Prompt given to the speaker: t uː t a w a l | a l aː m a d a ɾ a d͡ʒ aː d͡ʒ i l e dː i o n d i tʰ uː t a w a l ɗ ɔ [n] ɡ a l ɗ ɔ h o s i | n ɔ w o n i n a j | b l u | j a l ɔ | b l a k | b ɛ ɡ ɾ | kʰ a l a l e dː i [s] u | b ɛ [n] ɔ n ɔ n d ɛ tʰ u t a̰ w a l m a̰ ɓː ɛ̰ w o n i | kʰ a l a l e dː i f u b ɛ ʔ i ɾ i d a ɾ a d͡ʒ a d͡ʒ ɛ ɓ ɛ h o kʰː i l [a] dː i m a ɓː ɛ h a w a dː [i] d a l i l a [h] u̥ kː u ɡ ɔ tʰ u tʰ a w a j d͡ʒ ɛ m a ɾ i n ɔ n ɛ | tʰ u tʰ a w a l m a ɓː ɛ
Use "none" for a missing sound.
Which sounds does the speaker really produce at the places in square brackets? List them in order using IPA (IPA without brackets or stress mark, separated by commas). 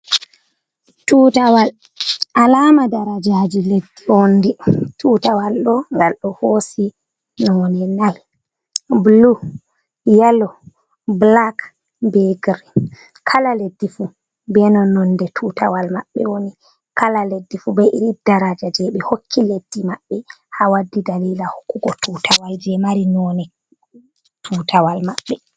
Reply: ŋ, f, n, e, i, h